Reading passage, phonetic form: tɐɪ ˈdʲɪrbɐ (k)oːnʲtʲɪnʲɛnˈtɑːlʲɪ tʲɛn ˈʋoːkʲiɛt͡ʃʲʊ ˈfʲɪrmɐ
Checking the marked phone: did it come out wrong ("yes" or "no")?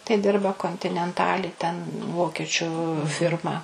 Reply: no